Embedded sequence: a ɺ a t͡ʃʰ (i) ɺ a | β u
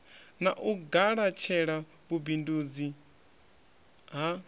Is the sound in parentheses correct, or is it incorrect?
incorrect